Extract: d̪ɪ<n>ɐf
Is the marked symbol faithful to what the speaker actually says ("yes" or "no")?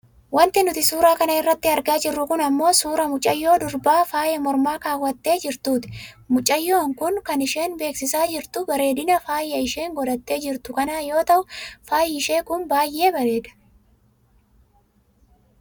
yes